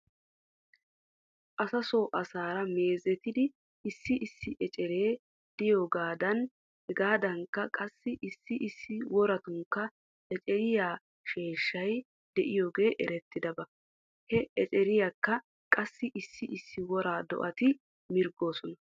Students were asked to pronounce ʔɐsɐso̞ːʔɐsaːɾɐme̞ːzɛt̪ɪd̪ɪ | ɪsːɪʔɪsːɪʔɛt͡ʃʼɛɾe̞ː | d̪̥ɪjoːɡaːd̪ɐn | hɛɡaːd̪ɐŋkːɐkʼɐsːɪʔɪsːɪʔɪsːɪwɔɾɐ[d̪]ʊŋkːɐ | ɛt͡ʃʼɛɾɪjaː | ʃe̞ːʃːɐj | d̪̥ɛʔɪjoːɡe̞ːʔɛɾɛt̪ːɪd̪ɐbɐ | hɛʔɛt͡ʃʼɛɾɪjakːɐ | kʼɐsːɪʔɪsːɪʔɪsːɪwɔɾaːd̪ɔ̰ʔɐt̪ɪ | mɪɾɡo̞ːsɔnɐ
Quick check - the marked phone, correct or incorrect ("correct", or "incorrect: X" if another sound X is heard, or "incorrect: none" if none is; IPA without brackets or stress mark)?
incorrect: t̪